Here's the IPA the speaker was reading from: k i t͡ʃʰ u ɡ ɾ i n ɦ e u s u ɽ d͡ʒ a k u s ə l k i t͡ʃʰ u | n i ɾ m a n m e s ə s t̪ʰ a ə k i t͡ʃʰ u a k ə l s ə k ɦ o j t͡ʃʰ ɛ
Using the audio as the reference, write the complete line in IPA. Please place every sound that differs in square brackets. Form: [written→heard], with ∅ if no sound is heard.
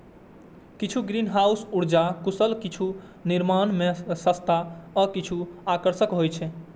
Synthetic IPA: k i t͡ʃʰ u ɡ ɾ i n ɦ [e→a] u s u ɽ d͡ʒ a k u s ə l k i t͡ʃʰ u | n i ɾ m a n m e s ə s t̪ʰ a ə k i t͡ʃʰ u a k ə [l→ɾ] s ə k ɦ o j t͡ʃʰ ɛ

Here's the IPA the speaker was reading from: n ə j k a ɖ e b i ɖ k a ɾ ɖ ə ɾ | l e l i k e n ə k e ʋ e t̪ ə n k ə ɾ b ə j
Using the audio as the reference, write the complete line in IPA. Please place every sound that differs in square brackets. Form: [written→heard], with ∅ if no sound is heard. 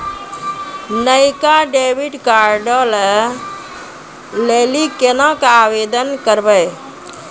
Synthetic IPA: n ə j k a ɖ e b i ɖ k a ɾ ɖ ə [ɾ→l] | l e l i k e n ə k [e→a] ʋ e [t̪→d̪] ə n k ə ɾ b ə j

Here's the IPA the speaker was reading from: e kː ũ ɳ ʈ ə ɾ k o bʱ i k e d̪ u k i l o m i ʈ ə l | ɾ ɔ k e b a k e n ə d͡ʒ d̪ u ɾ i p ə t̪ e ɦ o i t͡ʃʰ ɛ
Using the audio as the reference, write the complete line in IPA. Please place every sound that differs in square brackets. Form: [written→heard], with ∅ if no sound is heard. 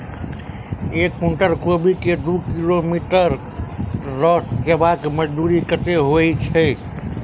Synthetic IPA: e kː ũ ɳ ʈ ə ɾ k o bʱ i k e d̪ u k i l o m i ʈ ə [l→ɾ] | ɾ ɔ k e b a k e [n→m] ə d͡ʒ d̪ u ɾ i [p→k] ə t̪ e ɦ o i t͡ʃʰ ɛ

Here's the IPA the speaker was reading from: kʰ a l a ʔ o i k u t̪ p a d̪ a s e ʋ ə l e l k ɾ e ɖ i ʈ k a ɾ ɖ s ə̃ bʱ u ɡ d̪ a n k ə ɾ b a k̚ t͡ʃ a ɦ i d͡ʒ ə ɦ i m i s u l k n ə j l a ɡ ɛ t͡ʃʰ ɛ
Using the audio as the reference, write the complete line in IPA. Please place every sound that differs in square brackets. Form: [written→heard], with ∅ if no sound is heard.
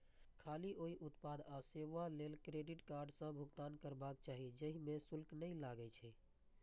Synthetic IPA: kʰ a l [a→i] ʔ o i [k→ʔ] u t̪ p a d̪ a s e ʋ [ə→a] l e l k ɾ e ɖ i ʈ k a ɾ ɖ s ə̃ bʱ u ɡ [d̪→t̪] a n k ə ɾ b a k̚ t͡ʃ a ɦ i d͡ʒ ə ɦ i m [i→e] s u l k n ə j l a ɡ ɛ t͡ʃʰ ɛ

